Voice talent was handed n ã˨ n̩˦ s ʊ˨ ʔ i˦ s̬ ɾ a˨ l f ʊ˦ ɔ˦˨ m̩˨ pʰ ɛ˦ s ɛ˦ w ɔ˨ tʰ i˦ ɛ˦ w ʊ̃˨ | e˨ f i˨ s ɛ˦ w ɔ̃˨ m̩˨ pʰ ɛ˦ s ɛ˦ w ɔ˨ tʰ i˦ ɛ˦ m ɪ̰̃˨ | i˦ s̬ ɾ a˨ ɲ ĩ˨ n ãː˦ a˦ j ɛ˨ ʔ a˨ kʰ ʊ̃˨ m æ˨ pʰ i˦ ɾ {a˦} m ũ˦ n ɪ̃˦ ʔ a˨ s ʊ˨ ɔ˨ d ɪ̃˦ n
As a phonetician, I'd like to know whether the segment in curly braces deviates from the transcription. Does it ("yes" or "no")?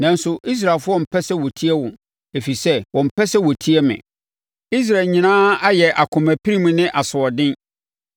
yes